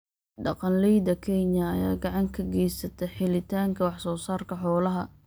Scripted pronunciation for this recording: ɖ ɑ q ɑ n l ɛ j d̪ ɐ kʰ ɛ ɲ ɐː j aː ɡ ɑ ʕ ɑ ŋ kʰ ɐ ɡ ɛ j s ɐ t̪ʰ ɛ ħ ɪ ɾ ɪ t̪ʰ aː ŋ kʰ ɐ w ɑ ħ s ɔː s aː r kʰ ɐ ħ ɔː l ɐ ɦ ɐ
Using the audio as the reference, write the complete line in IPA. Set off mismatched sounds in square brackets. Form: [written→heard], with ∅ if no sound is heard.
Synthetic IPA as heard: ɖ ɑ q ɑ n l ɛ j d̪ ɐ kʰ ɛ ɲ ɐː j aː ɡ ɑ ʕ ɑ ŋ kʰ ɐ ɡ ɛ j s ɐ t̪ʰ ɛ ħ ɪ [ɾ→l] ɪ t̪ʰ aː ŋ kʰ ɐ w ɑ ħ s ɔː s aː r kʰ ɐ ħ ɔː l ɐ ɦ ɐ